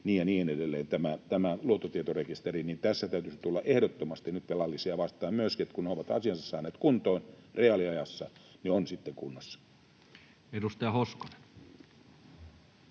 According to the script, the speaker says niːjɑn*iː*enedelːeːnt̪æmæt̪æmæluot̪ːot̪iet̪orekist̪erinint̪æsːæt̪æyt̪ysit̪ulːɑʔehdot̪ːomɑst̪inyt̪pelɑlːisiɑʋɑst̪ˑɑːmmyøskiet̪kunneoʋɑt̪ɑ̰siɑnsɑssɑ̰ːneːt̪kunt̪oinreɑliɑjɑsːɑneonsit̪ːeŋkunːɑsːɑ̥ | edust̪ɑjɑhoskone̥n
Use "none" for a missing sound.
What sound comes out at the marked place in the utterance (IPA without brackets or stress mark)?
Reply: iː